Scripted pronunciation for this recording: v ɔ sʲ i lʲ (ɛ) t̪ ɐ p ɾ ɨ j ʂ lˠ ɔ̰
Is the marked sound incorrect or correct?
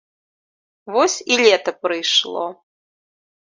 correct